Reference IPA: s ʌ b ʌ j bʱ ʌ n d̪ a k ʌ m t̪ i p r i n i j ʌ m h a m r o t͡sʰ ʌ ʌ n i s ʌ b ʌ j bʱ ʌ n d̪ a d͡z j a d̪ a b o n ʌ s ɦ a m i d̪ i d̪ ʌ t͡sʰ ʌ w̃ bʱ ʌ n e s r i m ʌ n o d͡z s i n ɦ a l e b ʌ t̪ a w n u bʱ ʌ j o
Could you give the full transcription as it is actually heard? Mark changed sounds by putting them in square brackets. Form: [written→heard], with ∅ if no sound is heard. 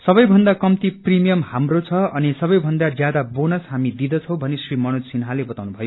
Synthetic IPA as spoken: s ʌ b ʌ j bʱ ʌ n d̪ a k ʌ m t̪ i p r i [n→m] i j ʌ m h a m r o t͡sʰ ʌ ʌ n i s ʌ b ʌ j bʱ ʌ n d̪ a d͡z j a d̪ a b o n ʌ s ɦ a m i d̪ i d̪ ʌ t͡sʰ ʌ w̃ bʱ ʌ n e s r i m ʌ n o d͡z s i n ɦ a l e b ʌ t̪ a w n u bʱ ʌ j o